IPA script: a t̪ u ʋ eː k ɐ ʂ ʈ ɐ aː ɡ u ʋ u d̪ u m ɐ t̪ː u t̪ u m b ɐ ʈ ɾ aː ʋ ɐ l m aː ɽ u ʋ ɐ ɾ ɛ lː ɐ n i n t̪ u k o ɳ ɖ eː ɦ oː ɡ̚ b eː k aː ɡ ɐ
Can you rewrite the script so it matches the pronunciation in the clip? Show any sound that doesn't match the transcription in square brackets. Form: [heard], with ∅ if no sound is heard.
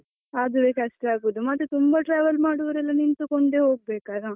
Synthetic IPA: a [d̪] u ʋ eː k ɐ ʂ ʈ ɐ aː ɡ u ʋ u d̪ u m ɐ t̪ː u t̪ u m b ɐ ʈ ɾ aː ʋ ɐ l m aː ɽ u ʋ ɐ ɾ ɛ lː ɐ n i n t̪ u k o ɳ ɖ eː ɦ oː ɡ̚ b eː k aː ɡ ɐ